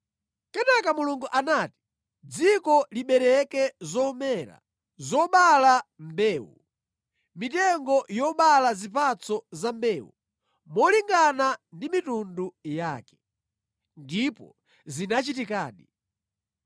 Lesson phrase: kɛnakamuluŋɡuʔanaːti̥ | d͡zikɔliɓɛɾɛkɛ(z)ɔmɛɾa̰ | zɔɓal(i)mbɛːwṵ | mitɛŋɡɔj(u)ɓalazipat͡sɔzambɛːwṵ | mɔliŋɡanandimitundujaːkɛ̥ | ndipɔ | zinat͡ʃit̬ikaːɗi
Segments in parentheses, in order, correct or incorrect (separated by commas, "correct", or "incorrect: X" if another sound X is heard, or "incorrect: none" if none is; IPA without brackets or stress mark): correct, incorrect: a, incorrect: ɔ